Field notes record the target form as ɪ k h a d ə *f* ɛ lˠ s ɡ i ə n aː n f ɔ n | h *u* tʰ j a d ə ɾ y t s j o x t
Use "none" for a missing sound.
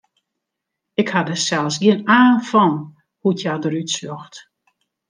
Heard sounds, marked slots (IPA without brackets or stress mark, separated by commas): s, u